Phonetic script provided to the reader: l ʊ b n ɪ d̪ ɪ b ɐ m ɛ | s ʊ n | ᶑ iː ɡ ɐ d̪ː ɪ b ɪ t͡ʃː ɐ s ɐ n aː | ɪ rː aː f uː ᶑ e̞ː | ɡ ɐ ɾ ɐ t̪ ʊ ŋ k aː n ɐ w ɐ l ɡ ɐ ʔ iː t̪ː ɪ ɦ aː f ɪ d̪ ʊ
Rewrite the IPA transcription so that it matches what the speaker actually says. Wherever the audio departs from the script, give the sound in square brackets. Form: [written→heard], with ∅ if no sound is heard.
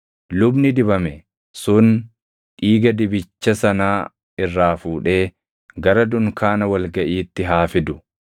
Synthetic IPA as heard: l ʊ b n ɪ d̪ ɪ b ɐ m ɛ | s ʊ n | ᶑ iː ɡ ɐ [d̪ː→d̪] ɪ b ɪ t͡ʃː ɐ s ɐ n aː | ɪ rː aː f uː ᶑ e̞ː | ɡ ɐ ɾ ɐ [t̪→d̪] ʊ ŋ k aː n ɐ w ɐ l ɡ ɐ ʔ iː t̪ː ɪ ɦ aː f ɪ d̪ ʊ